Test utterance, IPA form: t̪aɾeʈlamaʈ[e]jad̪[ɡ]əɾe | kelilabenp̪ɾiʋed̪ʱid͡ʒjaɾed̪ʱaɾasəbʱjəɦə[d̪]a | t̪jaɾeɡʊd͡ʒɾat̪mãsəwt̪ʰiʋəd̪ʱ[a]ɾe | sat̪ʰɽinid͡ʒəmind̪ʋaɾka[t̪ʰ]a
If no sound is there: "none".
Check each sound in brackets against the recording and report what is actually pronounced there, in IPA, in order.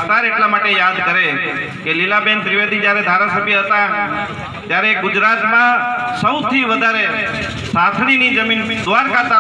e, k, t̪, a, t̪

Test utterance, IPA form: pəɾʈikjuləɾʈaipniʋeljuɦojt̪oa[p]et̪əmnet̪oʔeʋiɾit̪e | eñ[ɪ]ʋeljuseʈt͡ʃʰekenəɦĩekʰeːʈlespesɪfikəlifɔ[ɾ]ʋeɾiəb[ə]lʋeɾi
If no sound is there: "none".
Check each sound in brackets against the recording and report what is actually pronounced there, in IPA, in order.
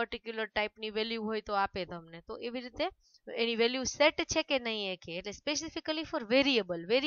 p, i, ɾ, ə

